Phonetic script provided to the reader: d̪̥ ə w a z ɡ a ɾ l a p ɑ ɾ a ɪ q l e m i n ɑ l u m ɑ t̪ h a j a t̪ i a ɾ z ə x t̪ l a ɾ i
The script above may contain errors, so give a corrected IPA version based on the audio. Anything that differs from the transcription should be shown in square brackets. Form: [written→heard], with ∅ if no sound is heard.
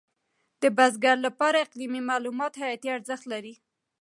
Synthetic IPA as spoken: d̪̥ ə [w→b] a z ɡ a ɾ l a p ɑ ɾ a ɪ q l [e→i] m i [n→m] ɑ l u m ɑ t̪ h a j a t̪ i a ɾ z ə x t̪ l a ɾ i